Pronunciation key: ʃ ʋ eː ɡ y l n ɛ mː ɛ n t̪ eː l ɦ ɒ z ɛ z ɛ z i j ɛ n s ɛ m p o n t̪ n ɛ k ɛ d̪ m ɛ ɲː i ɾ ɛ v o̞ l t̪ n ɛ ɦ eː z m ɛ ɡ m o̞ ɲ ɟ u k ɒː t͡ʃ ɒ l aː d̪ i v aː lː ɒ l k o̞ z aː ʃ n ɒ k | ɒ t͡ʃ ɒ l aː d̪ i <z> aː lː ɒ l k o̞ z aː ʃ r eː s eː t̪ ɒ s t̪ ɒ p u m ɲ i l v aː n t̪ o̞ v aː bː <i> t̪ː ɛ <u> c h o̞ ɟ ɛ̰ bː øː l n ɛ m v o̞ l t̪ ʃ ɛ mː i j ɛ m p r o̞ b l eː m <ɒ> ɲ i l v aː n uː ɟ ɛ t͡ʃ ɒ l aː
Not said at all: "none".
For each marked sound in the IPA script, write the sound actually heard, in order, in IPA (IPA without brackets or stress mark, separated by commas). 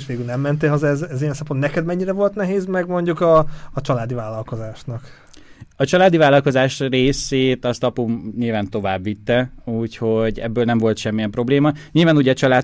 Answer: v, i, uː, ɒ